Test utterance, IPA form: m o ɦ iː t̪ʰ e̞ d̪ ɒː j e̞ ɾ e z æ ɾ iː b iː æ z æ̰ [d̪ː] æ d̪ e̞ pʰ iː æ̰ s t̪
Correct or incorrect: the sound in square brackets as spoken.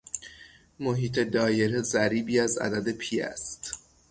incorrect: d̪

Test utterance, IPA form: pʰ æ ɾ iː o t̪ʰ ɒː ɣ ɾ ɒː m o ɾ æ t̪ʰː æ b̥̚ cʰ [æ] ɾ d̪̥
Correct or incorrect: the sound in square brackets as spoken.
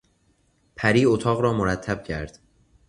correct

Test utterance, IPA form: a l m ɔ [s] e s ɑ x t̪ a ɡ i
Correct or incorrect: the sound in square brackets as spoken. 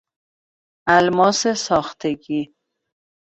correct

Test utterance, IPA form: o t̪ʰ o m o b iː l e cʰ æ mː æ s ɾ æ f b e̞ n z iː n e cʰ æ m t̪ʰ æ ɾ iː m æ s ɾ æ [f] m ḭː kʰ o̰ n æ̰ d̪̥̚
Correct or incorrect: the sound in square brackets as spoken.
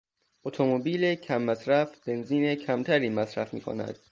correct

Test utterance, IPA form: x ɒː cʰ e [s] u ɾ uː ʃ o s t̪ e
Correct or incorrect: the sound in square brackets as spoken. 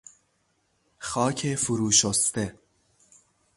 incorrect: f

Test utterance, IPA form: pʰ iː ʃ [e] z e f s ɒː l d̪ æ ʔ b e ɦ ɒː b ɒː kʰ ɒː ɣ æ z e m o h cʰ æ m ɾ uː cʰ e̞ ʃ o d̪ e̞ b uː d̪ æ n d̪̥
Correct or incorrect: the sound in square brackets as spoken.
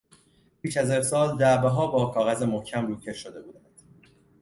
incorrect: æ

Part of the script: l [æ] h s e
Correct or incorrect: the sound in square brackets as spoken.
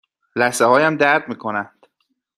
correct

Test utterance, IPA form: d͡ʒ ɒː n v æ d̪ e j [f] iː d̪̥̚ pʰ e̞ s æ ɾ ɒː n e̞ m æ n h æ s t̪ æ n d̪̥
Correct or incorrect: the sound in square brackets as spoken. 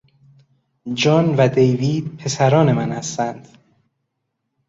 incorrect: v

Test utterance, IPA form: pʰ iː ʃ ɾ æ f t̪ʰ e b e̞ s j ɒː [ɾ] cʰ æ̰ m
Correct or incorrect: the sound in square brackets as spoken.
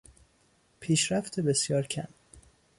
correct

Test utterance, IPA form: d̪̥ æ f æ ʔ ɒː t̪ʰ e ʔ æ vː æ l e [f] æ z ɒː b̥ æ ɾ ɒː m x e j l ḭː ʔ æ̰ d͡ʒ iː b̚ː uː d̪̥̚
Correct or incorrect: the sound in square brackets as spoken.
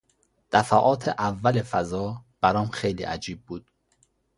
correct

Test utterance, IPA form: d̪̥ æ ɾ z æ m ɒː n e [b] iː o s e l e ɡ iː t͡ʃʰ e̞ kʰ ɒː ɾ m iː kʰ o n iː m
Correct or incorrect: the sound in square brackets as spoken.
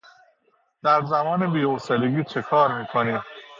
correct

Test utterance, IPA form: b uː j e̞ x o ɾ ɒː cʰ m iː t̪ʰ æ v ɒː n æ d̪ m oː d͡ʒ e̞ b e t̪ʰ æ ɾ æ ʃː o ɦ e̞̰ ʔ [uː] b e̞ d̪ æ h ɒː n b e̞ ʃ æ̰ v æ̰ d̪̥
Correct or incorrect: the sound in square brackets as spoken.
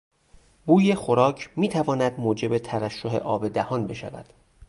incorrect: ɒː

